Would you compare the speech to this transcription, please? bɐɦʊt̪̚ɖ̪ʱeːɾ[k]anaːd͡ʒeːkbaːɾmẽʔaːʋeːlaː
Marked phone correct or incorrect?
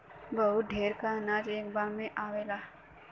correct